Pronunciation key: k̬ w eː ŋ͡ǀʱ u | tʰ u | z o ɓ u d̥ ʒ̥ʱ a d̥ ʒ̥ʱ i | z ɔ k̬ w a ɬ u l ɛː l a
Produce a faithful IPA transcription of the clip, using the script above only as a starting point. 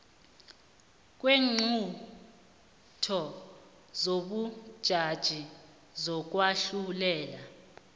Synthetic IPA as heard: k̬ w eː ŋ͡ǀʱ u | tʰ ɔ | z o ɓ u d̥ ʒ̥ʱ a d̥ ʒ̥ʱ i | z ɔ k̬ w a ɬ u l ɛː l a